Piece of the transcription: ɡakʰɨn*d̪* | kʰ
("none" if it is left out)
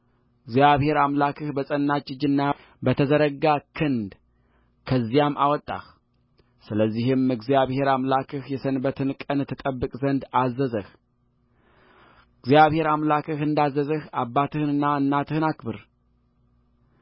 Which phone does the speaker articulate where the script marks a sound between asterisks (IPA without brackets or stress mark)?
d̪